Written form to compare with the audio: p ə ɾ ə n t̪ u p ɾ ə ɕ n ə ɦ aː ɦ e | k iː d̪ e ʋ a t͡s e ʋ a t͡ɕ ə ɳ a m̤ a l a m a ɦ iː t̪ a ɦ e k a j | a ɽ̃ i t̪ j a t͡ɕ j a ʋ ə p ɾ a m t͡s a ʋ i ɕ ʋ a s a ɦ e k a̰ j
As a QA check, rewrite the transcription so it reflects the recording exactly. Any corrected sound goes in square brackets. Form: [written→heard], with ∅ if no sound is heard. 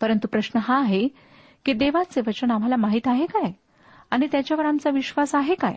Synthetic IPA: p ə ɾ ə n t̪ u p ɾ ə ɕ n ə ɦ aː ɦ e | k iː d̪ e ʋ a t͡s e ʋ [a→ə] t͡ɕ ə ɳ a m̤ a l a m a ɦ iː t̪ a ɦ e k a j | a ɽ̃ i t̪ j a t͡ɕ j a ʋ ə [p→∅] ɾ a m t͡s a ʋ i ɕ ʋ a s a ɦ e k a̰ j